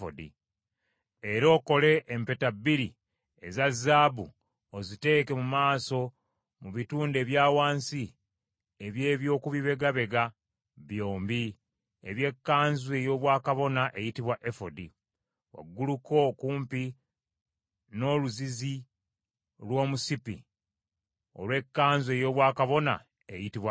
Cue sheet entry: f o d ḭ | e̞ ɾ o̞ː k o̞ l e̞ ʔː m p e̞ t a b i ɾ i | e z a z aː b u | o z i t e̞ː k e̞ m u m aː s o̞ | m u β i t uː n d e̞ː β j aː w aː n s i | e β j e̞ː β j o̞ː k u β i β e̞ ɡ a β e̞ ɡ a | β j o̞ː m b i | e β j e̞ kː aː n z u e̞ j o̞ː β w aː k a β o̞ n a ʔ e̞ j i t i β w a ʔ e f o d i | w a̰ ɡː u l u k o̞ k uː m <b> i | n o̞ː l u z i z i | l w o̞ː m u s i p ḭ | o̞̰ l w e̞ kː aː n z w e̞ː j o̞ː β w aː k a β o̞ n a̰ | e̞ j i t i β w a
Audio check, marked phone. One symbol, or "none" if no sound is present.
p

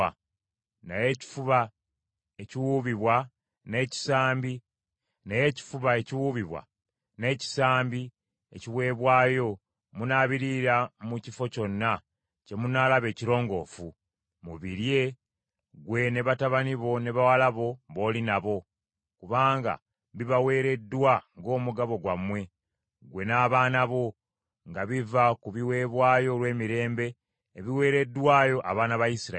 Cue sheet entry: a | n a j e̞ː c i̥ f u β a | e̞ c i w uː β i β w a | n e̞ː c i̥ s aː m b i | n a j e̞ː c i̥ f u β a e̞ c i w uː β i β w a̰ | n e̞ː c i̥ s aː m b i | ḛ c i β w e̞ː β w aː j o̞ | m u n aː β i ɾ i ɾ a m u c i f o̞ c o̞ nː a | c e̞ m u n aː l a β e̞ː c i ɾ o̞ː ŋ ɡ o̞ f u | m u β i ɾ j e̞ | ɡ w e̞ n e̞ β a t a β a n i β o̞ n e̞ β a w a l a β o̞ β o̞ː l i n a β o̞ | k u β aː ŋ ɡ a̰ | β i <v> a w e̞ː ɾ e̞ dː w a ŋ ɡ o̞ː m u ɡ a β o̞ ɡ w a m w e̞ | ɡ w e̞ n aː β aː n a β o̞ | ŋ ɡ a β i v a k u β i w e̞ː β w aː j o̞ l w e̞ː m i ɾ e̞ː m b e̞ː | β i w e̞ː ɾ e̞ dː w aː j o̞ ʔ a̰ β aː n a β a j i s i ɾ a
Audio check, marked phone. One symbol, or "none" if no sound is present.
β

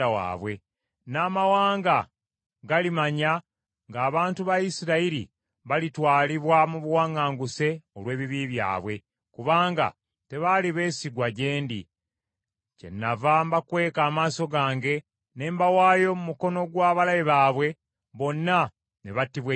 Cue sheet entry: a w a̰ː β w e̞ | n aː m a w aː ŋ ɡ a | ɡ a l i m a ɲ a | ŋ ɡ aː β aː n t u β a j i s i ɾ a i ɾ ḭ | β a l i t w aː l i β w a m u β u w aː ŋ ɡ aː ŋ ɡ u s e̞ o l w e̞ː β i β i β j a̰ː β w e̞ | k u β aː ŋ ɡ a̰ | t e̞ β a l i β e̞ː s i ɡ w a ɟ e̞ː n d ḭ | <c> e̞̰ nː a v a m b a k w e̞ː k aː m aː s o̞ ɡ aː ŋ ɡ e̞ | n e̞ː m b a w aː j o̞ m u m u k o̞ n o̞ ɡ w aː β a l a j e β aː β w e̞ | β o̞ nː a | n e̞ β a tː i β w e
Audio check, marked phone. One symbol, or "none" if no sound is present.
c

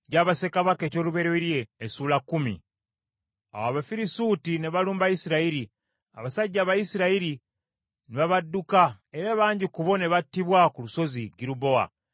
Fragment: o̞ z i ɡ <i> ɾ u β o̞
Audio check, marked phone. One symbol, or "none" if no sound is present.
i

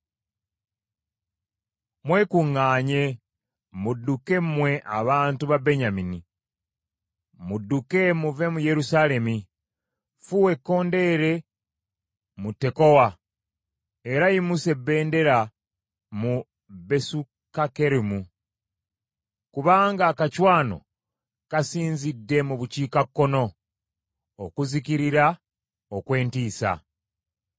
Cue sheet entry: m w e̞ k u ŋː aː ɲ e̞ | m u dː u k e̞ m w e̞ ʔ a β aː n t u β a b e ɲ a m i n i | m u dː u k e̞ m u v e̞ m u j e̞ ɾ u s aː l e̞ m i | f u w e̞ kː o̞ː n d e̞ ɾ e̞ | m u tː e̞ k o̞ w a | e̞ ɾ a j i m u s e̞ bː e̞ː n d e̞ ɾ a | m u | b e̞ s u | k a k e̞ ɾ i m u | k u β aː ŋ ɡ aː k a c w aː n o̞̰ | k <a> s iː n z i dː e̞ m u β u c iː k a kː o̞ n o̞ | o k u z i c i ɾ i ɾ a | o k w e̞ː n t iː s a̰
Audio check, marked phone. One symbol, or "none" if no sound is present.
a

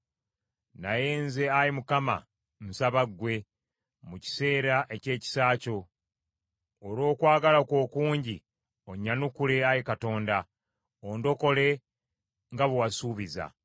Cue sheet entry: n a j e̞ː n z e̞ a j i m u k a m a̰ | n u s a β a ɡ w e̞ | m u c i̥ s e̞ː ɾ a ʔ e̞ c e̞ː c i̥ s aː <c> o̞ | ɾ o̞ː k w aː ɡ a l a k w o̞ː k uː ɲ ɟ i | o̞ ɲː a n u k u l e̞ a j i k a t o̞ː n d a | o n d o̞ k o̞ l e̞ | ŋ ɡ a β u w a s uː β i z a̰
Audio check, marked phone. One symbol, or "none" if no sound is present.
c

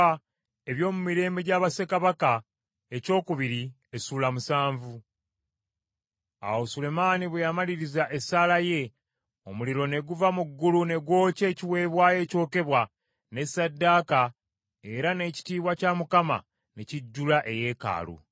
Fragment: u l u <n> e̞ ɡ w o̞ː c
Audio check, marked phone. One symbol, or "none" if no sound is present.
n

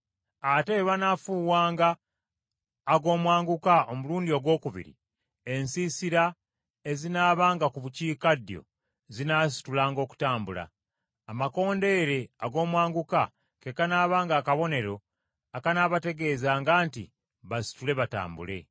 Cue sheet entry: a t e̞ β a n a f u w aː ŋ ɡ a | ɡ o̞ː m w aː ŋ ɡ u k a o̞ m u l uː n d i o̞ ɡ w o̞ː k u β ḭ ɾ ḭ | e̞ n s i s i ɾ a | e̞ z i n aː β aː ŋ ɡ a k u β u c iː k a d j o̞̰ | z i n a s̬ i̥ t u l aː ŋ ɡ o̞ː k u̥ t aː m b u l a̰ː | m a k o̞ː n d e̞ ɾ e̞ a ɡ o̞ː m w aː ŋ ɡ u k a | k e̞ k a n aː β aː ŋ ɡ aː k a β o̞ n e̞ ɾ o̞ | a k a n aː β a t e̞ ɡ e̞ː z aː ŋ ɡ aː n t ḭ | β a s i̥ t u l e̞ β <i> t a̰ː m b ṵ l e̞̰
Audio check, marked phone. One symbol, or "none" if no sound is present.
a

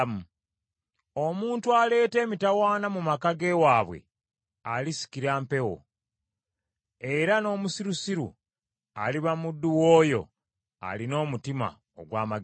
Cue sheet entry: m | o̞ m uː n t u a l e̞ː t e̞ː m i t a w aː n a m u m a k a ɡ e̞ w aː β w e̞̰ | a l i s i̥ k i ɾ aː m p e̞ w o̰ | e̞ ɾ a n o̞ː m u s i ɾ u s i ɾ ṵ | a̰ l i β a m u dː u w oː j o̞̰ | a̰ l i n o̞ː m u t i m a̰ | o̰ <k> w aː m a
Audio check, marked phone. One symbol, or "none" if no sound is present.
ɡ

